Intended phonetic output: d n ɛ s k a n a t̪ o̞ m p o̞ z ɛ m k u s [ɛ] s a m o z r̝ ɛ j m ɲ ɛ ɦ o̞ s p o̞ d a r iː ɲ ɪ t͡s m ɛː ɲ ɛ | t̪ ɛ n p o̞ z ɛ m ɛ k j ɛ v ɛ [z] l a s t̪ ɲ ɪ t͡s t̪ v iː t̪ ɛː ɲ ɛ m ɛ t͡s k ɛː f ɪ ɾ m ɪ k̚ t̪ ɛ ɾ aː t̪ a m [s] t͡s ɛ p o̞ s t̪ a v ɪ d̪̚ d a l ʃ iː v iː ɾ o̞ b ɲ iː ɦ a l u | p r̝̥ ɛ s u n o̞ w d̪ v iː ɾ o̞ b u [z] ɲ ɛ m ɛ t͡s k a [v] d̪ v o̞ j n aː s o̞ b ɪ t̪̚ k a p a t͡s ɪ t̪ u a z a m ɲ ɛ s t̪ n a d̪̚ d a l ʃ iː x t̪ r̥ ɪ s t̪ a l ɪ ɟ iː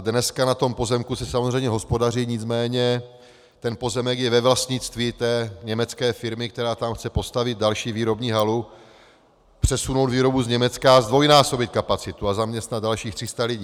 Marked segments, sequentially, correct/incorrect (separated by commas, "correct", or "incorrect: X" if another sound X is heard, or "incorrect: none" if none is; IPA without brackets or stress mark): correct, incorrect: v, incorrect: x, correct, incorrect: z